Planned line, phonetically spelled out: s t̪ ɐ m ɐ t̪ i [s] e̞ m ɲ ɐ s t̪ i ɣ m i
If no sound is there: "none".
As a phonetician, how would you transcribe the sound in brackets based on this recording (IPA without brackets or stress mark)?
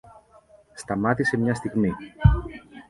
s